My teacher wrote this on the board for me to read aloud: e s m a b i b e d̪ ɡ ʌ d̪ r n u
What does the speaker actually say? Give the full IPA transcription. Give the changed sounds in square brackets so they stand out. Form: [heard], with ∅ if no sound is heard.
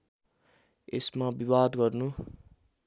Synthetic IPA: e s m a b i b [a] d̪ ɡ ʌ [∅] r n u